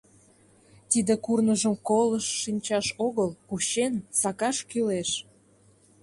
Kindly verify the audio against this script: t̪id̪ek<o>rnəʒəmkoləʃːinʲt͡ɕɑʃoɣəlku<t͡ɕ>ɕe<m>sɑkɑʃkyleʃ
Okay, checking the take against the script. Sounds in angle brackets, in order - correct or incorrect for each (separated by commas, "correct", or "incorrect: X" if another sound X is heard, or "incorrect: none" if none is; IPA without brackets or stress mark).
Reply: incorrect: u, incorrect: none, incorrect: n